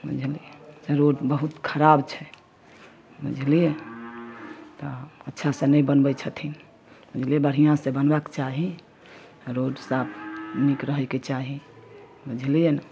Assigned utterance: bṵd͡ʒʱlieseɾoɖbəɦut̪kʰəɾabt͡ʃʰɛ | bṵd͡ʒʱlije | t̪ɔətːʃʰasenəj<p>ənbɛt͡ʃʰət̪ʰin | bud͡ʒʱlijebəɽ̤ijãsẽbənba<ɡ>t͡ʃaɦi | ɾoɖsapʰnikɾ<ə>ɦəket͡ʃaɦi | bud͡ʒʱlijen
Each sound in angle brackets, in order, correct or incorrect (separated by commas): incorrect, incorrect, correct